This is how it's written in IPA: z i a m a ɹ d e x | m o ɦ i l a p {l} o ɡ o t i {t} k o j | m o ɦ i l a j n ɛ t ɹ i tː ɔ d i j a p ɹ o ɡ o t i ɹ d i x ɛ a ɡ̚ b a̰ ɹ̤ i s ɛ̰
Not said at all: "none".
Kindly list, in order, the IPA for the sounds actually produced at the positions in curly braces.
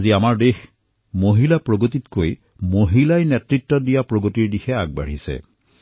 ɹ, t

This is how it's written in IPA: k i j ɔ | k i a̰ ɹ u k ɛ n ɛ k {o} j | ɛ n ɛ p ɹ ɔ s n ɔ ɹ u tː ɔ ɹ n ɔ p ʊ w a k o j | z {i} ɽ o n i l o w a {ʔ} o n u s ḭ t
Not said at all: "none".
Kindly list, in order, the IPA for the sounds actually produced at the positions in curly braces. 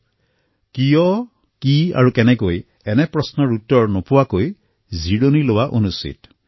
o, i, ʔ

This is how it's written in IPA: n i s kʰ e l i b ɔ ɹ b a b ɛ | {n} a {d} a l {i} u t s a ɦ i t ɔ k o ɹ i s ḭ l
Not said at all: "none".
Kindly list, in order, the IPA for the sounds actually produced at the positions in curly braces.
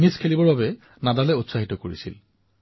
n, d, ɛ

